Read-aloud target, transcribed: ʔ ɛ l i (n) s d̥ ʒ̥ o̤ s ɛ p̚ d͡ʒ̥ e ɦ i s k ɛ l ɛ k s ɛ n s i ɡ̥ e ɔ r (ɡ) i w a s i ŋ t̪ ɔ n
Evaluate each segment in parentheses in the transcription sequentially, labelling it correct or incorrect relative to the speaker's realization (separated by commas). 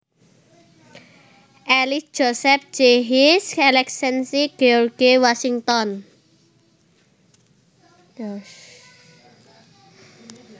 incorrect, correct